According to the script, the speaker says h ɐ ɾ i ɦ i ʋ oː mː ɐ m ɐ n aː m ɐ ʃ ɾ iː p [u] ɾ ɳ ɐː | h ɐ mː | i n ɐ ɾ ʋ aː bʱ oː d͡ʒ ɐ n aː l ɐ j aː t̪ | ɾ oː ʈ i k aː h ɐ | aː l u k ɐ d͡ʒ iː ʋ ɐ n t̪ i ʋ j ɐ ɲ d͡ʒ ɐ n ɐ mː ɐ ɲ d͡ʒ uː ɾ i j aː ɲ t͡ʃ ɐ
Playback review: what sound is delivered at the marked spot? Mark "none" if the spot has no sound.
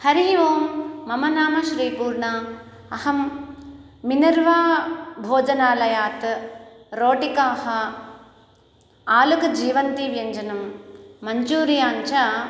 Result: uː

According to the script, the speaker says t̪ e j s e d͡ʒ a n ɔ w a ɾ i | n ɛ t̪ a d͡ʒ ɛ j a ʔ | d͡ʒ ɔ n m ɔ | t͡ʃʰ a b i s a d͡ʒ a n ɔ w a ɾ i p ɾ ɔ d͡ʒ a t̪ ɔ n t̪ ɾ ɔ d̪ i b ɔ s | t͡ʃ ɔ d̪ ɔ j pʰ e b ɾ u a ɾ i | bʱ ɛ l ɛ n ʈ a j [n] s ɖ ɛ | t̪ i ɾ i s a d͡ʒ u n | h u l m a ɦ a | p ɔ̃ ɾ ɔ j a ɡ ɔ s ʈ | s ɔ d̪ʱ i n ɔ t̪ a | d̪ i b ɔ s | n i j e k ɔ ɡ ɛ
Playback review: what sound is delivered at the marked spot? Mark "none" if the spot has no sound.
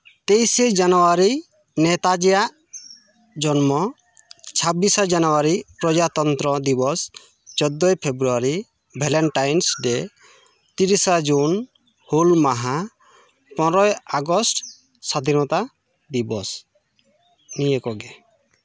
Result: n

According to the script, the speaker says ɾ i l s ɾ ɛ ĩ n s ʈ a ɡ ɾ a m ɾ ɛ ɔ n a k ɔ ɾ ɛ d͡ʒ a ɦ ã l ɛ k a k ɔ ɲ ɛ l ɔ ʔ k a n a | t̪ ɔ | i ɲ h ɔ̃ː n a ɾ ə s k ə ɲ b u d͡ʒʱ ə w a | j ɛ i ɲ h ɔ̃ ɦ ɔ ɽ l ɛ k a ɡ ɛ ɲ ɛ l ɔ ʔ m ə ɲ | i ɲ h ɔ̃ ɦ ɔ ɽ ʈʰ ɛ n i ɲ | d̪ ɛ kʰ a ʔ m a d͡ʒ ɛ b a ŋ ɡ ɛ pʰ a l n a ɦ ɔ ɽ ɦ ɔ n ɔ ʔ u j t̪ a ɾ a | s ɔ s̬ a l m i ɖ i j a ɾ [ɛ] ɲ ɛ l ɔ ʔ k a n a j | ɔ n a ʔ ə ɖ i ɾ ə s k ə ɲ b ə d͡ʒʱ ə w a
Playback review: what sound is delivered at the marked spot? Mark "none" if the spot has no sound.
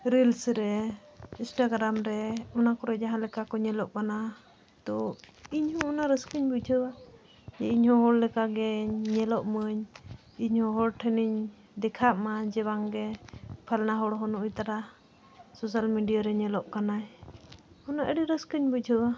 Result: ɛ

